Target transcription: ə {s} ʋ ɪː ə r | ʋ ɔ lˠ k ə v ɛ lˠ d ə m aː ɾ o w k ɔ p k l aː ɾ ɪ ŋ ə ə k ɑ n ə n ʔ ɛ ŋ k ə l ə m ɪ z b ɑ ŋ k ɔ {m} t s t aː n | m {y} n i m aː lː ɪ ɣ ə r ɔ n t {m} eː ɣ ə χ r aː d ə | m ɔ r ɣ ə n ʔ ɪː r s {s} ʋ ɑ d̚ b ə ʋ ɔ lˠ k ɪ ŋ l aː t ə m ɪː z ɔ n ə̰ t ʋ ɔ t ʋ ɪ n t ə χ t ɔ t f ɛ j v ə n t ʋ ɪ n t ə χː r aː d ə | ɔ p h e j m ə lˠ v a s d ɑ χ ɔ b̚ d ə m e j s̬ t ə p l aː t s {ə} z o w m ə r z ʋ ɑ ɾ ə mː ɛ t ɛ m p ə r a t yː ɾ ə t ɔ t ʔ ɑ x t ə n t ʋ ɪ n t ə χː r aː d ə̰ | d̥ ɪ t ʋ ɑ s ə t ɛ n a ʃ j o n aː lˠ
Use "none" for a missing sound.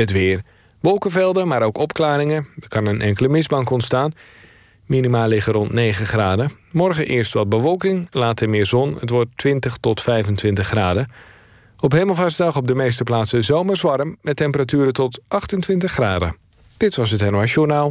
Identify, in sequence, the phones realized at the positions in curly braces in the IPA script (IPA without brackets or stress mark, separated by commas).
t, n, i, n, t, ə